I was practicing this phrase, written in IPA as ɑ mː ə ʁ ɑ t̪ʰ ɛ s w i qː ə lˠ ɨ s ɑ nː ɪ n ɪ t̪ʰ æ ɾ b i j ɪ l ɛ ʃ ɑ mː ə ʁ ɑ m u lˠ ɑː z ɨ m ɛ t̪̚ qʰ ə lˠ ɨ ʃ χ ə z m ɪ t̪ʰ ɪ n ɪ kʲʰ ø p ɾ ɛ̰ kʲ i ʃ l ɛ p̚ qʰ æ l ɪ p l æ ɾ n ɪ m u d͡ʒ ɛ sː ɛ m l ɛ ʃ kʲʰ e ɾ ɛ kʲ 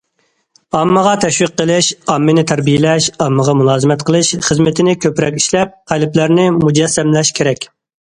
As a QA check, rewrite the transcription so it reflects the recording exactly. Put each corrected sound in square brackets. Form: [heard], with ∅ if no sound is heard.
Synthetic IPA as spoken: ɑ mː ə ʁ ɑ t̪ʰ ɛ [ʃ] w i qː ə lˠ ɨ [ʃ] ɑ [mː] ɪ n ɪ t̪ʰ æ ɾ b i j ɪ l ɛ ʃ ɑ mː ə ʁ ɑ m u lˠ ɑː z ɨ m ɛ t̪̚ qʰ ə lˠ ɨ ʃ χ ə z m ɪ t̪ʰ ɪ n ɪ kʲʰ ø p ɾ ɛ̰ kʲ i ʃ l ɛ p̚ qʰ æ l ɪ p l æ ɾ n ɪ m u d͡ʒ ɛ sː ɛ m l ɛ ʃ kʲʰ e ɾ ɛ kʲ